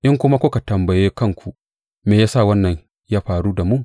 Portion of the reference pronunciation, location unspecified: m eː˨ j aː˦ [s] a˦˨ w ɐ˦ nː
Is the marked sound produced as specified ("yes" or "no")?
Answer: yes